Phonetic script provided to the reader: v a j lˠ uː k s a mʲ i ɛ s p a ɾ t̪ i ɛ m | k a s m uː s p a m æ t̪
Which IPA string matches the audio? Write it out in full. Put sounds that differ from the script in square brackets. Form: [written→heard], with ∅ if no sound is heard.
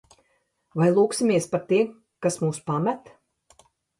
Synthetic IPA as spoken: v a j lˠ uː k s [a→i] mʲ i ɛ s p a ɾ t̪ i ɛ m | k a s m uː s p a m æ t̪